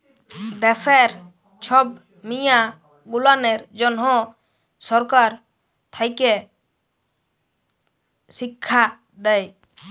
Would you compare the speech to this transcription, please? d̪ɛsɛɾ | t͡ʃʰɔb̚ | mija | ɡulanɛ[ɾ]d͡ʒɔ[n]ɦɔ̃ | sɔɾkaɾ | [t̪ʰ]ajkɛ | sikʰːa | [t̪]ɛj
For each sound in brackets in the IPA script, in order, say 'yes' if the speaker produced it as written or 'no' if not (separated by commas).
yes, yes, yes, no